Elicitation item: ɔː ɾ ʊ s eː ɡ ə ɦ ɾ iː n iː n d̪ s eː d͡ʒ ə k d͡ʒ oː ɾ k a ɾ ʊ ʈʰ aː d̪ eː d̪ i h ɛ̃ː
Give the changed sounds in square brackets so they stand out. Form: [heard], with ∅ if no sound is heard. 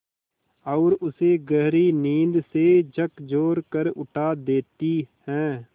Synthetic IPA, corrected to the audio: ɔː ɾ ʊ s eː ɡ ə ɦ ɾ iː n iː n d̪ s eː d͡ʒ ə k d͡ʒ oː ɾ k [ə] ɾ ʊ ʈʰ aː d̪ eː [t̪] i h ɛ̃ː